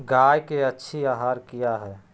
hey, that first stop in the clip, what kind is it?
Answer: plain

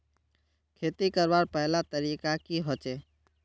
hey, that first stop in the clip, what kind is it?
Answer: aspirated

